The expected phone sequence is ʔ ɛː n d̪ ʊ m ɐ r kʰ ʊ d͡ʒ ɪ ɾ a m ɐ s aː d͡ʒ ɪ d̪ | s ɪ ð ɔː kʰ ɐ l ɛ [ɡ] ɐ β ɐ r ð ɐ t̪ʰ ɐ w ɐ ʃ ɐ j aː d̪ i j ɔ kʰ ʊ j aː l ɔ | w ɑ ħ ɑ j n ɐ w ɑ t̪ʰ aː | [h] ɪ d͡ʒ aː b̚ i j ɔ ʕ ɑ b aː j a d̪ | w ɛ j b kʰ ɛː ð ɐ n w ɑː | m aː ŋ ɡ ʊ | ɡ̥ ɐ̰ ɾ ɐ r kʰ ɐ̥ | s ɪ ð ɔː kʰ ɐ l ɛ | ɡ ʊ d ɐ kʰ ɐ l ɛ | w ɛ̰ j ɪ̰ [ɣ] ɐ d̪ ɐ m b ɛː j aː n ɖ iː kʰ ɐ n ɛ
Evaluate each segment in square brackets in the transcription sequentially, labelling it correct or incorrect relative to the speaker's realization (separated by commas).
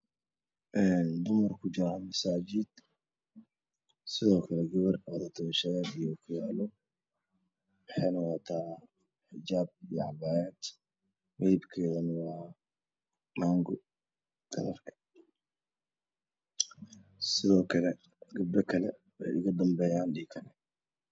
correct, incorrect, correct